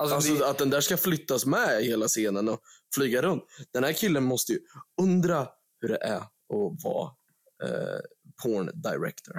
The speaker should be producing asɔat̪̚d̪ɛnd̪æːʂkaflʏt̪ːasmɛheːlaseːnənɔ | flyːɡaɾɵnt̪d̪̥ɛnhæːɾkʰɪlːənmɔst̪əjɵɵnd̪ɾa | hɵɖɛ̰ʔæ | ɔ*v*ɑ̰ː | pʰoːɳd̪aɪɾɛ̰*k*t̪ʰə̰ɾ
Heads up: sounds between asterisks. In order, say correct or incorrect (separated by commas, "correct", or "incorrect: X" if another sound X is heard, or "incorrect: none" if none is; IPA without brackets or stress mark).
correct, correct